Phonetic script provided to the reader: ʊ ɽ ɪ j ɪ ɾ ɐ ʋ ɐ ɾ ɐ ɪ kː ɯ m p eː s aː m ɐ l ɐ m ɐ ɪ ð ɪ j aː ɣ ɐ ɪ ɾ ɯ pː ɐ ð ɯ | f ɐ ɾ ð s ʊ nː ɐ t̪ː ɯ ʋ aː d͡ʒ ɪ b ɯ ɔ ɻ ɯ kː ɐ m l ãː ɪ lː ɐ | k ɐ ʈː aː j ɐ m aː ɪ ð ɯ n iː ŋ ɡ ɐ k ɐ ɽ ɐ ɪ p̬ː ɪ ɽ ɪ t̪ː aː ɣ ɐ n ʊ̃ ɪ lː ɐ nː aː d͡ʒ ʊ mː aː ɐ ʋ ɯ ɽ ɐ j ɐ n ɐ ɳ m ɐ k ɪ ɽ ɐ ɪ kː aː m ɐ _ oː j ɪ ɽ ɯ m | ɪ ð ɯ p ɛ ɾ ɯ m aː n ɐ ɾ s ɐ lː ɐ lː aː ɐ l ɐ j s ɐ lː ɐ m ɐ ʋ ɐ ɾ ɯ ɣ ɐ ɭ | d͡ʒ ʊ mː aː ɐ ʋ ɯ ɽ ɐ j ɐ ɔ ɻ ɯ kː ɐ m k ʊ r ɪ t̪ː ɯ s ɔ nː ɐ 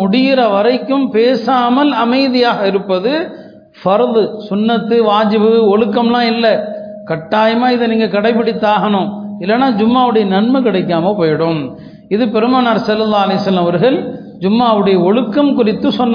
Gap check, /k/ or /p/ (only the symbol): p